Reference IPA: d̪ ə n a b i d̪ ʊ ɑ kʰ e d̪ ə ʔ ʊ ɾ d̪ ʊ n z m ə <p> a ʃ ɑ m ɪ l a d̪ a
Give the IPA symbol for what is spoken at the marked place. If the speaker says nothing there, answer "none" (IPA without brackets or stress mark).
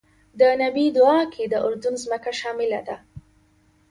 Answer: k